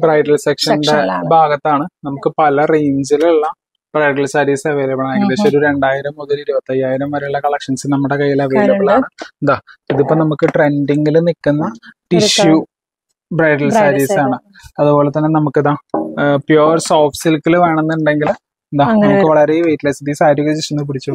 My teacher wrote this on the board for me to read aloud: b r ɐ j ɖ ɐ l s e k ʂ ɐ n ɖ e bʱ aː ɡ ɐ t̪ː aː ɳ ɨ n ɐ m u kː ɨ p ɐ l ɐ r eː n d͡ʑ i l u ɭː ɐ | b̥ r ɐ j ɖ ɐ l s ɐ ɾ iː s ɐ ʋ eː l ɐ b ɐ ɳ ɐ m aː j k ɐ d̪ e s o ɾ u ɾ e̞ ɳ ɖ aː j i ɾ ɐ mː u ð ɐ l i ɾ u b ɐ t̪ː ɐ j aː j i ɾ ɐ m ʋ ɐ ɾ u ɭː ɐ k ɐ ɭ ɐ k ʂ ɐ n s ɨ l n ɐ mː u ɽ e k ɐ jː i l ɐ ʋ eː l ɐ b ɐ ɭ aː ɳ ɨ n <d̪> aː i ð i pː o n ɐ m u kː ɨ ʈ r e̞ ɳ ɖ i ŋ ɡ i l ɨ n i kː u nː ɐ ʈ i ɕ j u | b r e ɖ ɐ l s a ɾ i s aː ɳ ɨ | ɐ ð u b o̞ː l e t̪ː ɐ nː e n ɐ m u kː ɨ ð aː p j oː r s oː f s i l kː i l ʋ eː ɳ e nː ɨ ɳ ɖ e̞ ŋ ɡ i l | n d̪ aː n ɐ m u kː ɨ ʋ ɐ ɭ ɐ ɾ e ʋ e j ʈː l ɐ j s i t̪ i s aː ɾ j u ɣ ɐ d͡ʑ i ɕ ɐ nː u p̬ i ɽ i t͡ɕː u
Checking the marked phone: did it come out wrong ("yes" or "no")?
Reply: no